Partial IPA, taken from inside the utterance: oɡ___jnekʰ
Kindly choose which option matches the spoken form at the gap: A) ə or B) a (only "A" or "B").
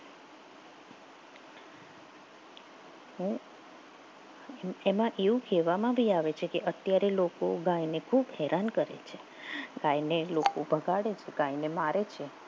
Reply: B